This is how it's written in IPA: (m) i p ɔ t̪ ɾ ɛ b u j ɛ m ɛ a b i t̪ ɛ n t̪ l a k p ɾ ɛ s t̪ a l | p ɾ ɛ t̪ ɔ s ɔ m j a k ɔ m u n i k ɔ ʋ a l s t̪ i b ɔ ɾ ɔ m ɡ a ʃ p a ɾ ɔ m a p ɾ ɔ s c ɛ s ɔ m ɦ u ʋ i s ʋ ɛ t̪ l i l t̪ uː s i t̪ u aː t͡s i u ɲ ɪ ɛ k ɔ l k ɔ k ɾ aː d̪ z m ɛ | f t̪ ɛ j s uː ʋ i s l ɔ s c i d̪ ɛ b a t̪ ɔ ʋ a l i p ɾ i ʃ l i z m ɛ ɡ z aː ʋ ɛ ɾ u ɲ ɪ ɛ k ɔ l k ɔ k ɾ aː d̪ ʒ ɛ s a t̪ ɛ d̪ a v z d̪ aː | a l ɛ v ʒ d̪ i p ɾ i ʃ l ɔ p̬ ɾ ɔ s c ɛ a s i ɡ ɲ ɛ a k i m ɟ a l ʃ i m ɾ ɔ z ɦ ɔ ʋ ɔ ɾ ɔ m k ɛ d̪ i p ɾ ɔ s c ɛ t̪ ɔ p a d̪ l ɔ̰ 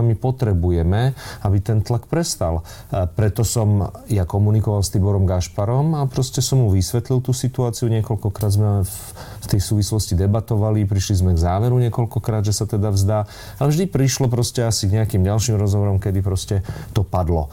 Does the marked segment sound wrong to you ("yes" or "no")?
no